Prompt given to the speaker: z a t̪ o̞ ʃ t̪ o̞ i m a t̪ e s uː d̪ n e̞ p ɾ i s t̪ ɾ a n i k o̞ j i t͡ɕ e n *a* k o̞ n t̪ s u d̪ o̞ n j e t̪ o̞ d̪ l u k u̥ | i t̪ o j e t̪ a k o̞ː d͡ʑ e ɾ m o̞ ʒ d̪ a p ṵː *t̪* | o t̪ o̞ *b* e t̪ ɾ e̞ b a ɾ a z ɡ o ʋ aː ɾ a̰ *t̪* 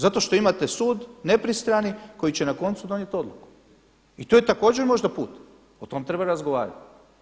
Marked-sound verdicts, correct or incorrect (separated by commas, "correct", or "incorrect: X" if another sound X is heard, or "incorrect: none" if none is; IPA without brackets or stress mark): correct, correct, incorrect: m, correct